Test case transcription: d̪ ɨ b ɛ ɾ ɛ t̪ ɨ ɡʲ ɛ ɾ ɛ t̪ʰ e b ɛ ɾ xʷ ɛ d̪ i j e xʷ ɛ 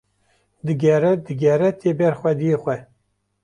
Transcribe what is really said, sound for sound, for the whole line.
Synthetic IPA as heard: d̪ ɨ ɡ ɛ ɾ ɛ d̪ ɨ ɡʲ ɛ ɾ ɛ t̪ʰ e b ɛ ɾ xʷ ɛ d̪ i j e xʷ ɛ